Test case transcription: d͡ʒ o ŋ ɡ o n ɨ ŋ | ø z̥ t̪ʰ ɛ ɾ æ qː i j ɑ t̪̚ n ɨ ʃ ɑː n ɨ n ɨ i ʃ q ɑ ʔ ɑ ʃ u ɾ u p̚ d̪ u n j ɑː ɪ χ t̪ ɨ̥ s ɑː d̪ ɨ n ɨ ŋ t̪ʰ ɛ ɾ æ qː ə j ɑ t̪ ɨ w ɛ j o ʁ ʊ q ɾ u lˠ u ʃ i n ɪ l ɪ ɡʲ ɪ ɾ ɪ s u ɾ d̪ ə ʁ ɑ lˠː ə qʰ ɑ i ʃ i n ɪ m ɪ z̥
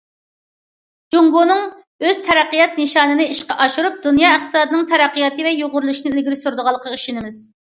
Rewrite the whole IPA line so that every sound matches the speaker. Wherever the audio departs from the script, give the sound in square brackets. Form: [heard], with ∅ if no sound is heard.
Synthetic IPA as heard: d͡ʒ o ŋ ɡ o n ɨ ŋ | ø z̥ t̪ʰ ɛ ɾ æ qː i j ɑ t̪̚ n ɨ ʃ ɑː n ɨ n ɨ i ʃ q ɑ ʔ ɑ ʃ u ɾ u p̚ d̪ u n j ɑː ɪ χ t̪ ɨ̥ s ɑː d̪ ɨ n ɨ ŋ t̪ʰ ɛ ɾ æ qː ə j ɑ t̪ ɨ [v] ɛ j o ʁ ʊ [∅] ɾ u lˠ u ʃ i n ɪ l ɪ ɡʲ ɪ ɾ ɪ s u ɾ d̪ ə ʁ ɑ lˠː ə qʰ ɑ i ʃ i n ɪ m ɪ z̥